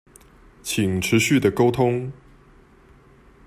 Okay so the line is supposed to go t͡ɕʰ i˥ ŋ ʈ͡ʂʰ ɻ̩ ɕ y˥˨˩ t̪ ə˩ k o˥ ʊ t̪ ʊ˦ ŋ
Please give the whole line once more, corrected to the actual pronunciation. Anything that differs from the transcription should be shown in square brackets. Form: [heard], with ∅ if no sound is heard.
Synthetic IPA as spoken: t͡ɕʰ [i˨˩] ŋ ʈ͡ʂʰ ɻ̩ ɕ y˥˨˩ [d̪] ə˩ k o˥ ʊ [t̪ʰ] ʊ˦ ŋ